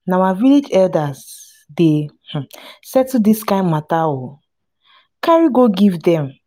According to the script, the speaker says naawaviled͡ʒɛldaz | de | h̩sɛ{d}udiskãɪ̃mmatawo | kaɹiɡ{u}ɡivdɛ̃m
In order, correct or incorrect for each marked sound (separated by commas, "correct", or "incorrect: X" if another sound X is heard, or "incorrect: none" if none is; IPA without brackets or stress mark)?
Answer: incorrect: t, incorrect: o